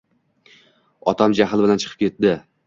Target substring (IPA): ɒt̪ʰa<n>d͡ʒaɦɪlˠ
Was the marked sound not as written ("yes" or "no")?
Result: yes